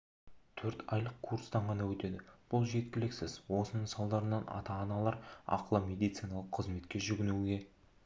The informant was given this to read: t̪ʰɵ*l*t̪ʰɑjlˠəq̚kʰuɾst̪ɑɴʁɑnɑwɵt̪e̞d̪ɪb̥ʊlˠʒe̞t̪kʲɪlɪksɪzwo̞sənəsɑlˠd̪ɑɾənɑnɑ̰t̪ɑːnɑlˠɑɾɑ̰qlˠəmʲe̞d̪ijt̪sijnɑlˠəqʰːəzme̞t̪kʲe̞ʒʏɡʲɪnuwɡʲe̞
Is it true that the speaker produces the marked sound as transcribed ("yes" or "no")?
no